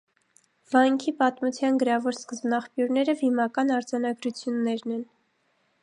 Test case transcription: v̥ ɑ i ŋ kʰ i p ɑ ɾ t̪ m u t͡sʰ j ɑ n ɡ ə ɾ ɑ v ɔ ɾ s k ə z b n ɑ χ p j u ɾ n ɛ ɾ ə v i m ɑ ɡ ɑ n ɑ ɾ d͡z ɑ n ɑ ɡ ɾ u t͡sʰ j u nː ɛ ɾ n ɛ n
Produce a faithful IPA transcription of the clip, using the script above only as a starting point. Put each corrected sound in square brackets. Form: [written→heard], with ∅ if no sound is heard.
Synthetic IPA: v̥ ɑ [i→j] ŋ kʰ i p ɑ [ɾ→∅] t̪ m u t͡sʰ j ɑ n ɡ ə ɾ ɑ v ɔ ɾ s k ə z b n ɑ χ p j u ɾ n ɛ ɾ ə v i m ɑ [ɡ→k] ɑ n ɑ ɾ d͡z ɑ n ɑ ɡ ɾ u t͡sʰ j u nː ɛ ɾ n ɛ n